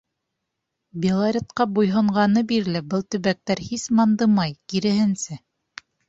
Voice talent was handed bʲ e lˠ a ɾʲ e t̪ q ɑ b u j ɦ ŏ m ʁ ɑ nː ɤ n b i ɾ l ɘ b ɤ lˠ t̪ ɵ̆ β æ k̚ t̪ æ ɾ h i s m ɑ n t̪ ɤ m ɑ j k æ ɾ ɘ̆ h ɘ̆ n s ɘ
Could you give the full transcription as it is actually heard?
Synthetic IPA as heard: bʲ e lˠ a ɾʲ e t̪ q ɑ b u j ɦ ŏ ɴ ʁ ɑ n ɤ b i ɾ l ɘ b ɤ lˠ t̪ ɵ̆ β æ k̚ t̪ æ ɾ h i s m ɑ n d̪ ɤ m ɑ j k i ɾ ɘ̆ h ɘ̆ n s ɘ